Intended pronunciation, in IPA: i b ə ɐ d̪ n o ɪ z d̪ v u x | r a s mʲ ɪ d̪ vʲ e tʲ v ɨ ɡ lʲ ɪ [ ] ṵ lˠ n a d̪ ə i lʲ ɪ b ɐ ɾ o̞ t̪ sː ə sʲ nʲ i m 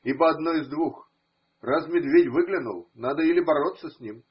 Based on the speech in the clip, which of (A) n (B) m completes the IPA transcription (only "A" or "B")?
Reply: A